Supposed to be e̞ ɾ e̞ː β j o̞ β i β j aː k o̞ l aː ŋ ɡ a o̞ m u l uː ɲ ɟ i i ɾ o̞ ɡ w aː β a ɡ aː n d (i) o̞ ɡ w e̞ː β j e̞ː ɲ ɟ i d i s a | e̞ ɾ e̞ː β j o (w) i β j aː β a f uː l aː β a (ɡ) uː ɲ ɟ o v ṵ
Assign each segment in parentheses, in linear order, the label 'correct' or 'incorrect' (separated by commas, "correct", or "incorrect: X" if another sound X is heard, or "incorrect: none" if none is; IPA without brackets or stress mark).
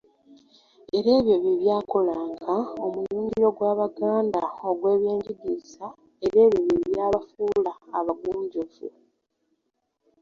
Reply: incorrect: a, incorrect: β, correct